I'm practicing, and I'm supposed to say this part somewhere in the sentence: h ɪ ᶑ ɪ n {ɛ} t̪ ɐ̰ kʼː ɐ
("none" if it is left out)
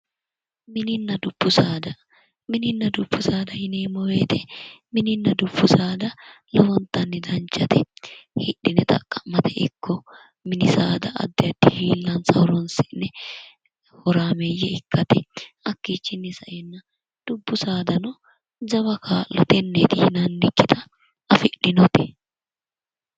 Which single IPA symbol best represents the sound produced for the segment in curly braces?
ɛ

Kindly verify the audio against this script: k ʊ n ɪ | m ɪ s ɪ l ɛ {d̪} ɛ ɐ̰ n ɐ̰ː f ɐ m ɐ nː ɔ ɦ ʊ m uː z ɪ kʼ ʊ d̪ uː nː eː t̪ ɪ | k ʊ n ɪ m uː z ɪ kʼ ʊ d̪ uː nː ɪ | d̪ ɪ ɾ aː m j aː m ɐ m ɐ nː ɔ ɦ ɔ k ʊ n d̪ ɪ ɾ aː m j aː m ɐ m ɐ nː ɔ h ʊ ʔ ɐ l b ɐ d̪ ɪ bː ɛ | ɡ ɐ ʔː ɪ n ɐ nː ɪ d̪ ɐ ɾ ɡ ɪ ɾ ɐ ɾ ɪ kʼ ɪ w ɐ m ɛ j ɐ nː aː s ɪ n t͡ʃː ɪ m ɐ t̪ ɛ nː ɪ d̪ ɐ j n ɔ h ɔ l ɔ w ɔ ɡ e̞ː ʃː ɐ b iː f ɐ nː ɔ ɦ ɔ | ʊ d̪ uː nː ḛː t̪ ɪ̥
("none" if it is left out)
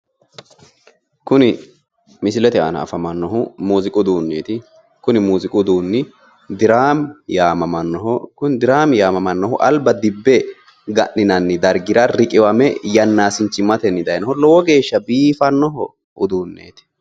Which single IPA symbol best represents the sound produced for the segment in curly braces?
t̪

